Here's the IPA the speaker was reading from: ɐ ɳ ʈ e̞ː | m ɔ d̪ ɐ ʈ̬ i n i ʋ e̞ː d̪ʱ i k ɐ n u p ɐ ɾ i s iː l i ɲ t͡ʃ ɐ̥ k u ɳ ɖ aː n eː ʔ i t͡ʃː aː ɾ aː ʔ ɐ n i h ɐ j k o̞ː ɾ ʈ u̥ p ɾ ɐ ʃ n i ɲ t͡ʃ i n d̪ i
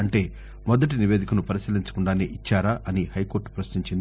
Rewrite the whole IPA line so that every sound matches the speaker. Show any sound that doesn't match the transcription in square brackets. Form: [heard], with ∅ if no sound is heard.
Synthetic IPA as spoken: ɐ ɳ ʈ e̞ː | m ɔ d̪ ɐ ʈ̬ i n i ʋ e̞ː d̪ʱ i k ɐ n u p ɐ ɾ i s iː l i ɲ t͡ʃ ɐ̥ k u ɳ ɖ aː n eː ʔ i t͡ʃː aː ɾ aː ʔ ɐ n i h ɐ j k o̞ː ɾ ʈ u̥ p ɾ ɐ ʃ n i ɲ t͡ʃ i n d̪ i